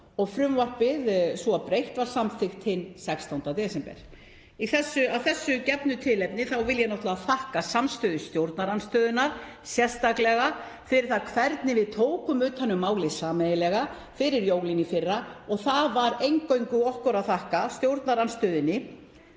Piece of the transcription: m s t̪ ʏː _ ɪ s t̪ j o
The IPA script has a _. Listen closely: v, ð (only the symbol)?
ð